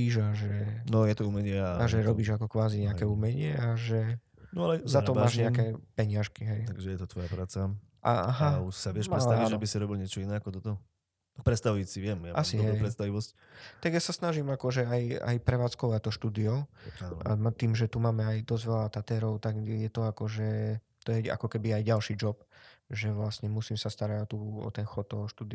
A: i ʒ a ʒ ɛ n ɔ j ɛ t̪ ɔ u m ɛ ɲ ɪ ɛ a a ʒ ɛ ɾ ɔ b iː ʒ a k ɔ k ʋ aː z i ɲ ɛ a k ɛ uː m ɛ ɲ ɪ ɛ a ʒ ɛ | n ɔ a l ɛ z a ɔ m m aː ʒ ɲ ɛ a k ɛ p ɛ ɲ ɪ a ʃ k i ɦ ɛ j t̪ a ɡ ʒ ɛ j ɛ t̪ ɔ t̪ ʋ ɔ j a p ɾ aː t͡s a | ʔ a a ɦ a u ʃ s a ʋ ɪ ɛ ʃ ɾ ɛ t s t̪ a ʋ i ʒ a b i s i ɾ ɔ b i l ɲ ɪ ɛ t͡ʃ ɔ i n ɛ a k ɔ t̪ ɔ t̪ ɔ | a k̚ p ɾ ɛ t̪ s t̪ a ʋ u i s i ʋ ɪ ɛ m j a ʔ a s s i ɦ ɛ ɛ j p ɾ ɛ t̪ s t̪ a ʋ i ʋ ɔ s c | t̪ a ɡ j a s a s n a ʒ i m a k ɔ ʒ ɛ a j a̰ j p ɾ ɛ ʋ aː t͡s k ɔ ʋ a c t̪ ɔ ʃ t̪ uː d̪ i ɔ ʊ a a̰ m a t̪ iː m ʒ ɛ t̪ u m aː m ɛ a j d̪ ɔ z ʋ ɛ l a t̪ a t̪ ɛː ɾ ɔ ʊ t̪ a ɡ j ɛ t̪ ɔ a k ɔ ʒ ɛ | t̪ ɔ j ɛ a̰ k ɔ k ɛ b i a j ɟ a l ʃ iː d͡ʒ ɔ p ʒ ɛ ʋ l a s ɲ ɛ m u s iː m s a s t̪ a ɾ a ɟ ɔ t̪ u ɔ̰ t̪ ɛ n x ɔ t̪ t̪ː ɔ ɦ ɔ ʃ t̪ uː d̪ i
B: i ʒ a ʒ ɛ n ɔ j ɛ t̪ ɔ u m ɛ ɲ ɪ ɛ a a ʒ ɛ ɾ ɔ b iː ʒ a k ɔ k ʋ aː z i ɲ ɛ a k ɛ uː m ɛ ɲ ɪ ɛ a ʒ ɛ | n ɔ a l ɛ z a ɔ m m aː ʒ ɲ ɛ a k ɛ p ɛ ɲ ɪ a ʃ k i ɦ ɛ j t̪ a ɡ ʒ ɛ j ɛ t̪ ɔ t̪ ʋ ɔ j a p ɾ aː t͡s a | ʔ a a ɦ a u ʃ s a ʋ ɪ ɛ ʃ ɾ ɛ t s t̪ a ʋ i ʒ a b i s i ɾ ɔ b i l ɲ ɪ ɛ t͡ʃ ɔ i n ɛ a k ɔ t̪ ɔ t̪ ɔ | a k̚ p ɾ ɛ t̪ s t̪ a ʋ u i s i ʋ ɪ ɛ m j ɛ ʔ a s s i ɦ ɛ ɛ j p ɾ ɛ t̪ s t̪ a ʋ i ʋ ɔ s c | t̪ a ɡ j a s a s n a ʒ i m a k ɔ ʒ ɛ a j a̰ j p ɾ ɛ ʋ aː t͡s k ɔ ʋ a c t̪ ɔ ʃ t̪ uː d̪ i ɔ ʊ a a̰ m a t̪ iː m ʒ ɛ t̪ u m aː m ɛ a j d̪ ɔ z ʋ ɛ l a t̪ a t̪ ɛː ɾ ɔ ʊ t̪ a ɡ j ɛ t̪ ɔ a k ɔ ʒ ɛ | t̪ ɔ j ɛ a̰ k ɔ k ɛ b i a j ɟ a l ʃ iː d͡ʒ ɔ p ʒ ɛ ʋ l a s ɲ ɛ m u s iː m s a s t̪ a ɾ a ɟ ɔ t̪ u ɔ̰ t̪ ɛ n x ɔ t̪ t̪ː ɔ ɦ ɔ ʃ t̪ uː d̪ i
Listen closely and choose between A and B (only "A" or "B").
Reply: A